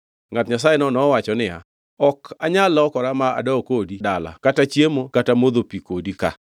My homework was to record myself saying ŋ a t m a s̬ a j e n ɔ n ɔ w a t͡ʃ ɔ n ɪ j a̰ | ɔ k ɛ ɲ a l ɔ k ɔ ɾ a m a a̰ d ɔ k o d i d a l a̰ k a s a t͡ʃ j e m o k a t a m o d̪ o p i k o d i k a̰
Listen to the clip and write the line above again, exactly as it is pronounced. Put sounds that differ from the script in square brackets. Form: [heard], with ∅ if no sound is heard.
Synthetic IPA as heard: ŋ a t [ɲ] a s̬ a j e n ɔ n ɔ w a t͡ʃ ɔ n ɪ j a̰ | ɔ k [a] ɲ a l ɔ k ɔ ɾ a m a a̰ d ɔ k o d i d a l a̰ k a [t] a t͡ʃ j e m o k a t a m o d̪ o p i k o d i k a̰